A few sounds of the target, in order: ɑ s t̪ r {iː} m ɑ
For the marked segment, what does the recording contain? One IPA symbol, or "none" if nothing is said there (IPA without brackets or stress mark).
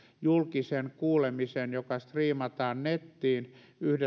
iː